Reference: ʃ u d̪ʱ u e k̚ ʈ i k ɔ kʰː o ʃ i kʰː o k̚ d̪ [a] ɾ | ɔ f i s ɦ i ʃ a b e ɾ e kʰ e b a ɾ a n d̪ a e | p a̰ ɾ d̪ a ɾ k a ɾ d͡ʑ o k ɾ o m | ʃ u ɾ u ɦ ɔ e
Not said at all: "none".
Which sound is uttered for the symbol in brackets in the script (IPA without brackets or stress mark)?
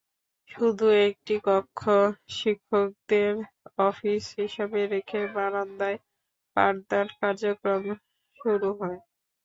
e